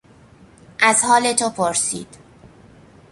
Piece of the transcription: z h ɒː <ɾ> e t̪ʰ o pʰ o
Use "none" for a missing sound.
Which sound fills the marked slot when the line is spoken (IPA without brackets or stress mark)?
l